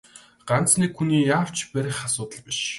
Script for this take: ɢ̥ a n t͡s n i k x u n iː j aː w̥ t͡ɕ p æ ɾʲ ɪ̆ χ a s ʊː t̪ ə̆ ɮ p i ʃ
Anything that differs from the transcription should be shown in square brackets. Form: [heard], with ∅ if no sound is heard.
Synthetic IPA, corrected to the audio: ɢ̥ a n t͡s n i k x u n iː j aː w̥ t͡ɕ p æ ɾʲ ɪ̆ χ a s ʊː t̪ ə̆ ɮ p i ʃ

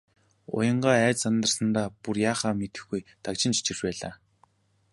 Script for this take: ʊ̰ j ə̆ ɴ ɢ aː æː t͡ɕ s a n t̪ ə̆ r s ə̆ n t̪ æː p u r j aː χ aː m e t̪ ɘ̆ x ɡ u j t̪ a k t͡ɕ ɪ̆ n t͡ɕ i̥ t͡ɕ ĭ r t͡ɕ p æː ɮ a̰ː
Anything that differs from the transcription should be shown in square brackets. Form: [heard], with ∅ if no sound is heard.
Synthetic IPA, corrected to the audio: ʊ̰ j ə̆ ɴ ɢ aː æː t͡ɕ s a n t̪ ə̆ r s ə̆ n t̪ [aː] p u r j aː χ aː m e t̪ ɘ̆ x ɡ u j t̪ a k t͡ɕ ɪ̆ n t͡ɕ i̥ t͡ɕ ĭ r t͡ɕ p æː ɮ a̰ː

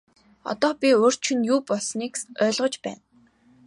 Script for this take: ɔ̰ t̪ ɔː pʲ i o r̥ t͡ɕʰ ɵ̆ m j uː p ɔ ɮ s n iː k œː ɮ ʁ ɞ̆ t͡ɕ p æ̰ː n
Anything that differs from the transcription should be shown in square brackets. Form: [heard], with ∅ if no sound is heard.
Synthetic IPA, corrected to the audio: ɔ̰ t̪ ɔː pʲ i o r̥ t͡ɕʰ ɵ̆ [n] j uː p ɔ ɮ s n iː k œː ɮ ʁ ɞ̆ t͡ɕ p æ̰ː n

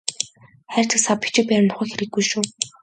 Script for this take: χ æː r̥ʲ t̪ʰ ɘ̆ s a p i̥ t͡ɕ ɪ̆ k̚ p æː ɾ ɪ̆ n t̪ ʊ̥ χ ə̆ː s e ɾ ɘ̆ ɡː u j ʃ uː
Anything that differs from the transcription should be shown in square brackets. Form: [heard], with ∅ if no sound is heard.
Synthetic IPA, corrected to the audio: χ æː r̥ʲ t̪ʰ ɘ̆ s a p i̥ t͡ɕ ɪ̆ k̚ p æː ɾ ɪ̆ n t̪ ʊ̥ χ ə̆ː [x] e ɾ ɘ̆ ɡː u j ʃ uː

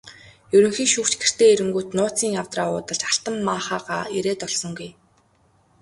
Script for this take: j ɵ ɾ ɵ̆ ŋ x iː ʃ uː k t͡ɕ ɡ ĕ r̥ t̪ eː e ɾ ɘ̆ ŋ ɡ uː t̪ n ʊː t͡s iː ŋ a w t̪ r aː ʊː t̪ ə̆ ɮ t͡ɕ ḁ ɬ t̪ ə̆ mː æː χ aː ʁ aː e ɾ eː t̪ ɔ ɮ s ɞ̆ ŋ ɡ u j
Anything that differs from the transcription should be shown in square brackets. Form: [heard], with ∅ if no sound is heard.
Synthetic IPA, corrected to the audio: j ɵ ɾ ɵ̆ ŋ x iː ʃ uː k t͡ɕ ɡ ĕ r̥ t̪ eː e ɾ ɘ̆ ŋ ɡ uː t̪ n ʊː t͡s iː ŋ a w t̪ r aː ʊː t̪ ə̆ ɮ t͡ɕ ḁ ɬ t̪ ə̆ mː [aː] χ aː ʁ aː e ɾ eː t̪ ɔ ɮ s ɞ̆ ŋ ɡ u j

